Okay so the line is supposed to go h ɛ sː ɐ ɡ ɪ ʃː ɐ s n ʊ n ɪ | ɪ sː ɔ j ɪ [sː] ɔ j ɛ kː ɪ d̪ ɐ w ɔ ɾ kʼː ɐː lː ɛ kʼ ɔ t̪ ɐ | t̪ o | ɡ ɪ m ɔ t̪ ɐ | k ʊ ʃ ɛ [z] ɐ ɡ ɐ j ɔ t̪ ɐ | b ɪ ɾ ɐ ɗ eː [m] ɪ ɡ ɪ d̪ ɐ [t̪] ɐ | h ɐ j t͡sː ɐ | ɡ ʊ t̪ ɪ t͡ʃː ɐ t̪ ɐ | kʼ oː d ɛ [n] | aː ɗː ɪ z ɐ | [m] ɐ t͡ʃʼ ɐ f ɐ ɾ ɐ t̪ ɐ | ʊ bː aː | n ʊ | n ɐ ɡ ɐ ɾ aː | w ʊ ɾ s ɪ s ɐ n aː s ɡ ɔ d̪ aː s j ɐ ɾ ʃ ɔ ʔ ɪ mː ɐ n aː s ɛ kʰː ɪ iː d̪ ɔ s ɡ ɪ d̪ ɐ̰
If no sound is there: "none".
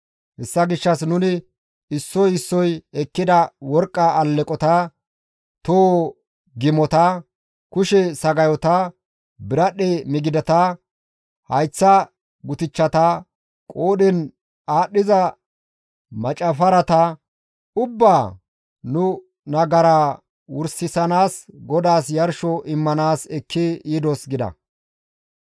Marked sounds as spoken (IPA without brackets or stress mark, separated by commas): sː, s, m, t̪, n, m